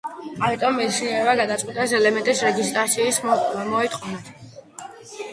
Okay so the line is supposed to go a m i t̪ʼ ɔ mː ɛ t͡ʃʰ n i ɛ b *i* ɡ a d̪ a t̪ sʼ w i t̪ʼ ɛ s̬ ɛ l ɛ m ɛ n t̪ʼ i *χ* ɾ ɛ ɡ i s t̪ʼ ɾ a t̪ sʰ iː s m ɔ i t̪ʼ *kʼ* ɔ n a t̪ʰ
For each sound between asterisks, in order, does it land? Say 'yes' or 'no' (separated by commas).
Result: no, no, no